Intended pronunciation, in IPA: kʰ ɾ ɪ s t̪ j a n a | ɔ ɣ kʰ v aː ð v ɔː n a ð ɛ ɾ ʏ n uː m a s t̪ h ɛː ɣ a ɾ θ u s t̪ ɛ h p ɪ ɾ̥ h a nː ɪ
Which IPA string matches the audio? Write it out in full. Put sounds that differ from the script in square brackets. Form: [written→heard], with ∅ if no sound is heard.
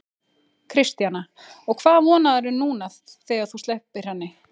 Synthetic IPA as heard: kʰ ɾ ɪ s t̪ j a n a | ɔ ɣ kʰ v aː ð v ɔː n a ð ɛ ɾ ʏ n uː [m→n] a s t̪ [h→θ] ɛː ɣ a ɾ θ u s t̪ ɛ h p ɪ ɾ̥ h a nː ɪ